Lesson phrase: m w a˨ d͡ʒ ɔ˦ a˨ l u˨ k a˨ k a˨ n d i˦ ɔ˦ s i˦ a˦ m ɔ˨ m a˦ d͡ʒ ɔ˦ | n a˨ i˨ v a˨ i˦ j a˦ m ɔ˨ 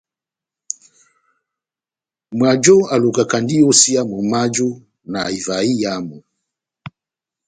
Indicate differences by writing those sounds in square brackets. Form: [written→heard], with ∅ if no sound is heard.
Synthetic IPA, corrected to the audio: m w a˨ d͡ʒ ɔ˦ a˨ l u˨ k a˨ k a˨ n d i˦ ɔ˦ s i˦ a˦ m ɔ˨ m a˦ d͡ʒ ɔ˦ | n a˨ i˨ v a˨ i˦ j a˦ m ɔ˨